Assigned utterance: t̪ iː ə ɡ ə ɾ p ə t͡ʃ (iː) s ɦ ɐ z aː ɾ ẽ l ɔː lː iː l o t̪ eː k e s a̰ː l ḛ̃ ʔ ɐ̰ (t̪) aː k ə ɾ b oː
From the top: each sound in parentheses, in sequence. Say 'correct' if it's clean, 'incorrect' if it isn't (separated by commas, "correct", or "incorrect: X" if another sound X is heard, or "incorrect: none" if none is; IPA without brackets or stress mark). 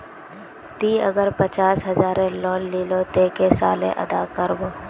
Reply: incorrect: aː, incorrect: d̪